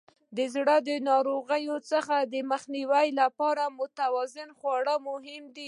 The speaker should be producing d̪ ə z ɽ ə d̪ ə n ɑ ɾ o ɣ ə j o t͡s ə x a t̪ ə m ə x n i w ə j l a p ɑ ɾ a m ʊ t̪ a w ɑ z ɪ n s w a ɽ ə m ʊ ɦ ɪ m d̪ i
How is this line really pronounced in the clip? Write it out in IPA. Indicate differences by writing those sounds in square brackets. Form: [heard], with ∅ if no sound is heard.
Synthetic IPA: d̪ ə z ɽ ə d̪ ə n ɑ ɾ o ɣ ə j o t͡s ə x a [d̪] ə m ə x n i w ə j l a p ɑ ɾ a m ʊ t̪ a w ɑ z ɪ n [x] w [ɑ] ɽ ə m ʊ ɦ ɪ m d̪ i